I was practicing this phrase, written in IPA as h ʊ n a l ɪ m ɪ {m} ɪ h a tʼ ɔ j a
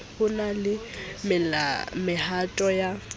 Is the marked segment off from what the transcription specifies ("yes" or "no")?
no